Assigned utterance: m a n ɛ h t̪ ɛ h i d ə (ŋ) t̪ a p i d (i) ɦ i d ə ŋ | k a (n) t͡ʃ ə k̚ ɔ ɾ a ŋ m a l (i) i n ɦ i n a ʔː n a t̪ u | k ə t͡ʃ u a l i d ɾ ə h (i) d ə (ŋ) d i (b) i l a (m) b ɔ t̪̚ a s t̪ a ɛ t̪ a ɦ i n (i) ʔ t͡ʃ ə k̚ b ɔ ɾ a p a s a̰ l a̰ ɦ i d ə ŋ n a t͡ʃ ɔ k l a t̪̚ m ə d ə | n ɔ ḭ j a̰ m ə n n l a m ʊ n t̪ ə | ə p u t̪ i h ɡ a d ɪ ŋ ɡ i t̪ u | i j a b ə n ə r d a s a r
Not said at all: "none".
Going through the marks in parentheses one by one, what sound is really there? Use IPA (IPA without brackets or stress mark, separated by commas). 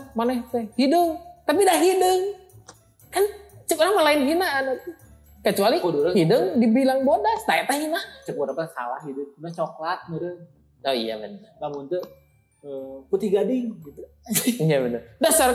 ŋ, a, n, a, i, ŋ, b, ŋ, a